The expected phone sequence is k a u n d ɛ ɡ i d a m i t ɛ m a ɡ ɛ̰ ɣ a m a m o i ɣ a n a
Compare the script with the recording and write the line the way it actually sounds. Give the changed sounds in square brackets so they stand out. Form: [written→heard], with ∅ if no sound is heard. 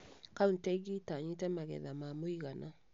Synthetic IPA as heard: k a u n [d→t] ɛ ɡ i [d→t] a [m→ɲ] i t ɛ m a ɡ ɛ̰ [ɣ→ð] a m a m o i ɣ a n a

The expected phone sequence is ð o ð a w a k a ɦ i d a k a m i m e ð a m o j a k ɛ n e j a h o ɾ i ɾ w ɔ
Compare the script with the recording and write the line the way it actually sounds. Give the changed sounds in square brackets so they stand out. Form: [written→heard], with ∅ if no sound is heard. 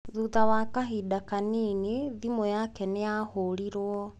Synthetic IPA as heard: ð [o→u] ð a w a k a ɦ i d a k a [m→n] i [m→n] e ð [a→i] m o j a k ɛ n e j a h o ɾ i ɾ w ɔ

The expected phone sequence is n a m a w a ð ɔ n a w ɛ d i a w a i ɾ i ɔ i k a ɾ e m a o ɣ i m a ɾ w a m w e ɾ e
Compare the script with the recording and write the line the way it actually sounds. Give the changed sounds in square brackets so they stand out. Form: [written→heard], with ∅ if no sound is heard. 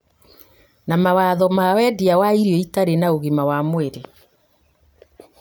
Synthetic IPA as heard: n a m a w a ð ɔ [n→m] a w ɛ d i a w a i ɾ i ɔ i [k→t] a ɾ e [m→n] a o ɣ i m a [ɾ→∅] w a m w e ɾ e

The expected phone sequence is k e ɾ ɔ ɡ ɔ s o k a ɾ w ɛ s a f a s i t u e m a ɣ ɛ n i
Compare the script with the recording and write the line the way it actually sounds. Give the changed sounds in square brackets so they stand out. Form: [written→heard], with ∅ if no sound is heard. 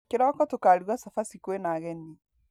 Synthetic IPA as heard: k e ɾ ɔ [ɡ→k] ɔ [s→t] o k a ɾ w [ɛ→a] s a f a s i [t→k] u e [m→n] a ɣ ɛ n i

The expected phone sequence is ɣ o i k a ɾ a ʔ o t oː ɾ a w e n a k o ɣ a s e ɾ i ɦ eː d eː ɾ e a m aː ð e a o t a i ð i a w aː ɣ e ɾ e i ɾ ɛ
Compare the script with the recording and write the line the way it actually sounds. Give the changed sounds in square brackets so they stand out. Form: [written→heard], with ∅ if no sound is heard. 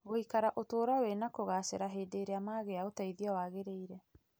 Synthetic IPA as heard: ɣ o i k a ɾ a ʔ o t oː ɾ a w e n a k o ɣ a s e ɾ [i→a] ɦ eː d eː ɾ e a m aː [ð→ɣ] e a o t a i ð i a w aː ɣ e ɾ e i ɾ ɛ

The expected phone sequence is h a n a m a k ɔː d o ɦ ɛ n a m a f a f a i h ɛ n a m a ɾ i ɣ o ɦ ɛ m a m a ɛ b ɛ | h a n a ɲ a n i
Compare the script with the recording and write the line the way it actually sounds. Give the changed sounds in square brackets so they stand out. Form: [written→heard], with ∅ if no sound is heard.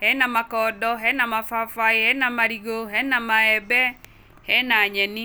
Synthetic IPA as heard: h [a→ɛ] n a m a k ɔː d [o→ɔ] ɦ ɛ n a m a f a f a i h ɛ n a m a ɾ i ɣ o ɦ ɛ [m→n] a m a ɛ b ɛ | h [a→ɛ] n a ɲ [a→ɛ] n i

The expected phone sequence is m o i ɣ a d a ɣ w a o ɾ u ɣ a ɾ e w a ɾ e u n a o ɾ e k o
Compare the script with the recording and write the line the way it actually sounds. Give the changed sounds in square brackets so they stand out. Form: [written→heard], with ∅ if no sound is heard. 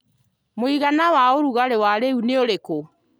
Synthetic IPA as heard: m o i ɣ a [d→n] a [ɣ→∅] w a o ɾ u ɣ a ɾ e w a ɾ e u n [a→e] o ɾ e k o

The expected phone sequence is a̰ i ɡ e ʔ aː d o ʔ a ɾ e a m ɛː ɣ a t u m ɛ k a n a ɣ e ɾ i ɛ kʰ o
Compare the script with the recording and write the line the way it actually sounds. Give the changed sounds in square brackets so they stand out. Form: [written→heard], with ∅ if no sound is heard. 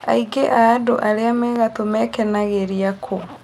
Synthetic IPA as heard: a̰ i ɡ e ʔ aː d o ʔ a ɾ e a m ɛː ɣ a t [u→o] m ɛ k [a→ɛ] n a ɣ e ɾ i [ɛ→a] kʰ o

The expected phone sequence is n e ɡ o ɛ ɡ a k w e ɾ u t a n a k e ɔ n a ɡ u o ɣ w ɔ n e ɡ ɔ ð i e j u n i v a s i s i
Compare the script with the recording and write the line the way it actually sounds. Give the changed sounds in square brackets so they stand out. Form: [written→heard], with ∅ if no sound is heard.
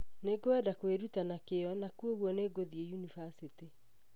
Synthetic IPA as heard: n e ɡ o ɛ [ɡ→d] a k w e ɾ u t a n a k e ɔ n a [ɡ→k] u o ɣ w ɔ n e ɡ [ɔ→o] ð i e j u n i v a s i [s→t] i

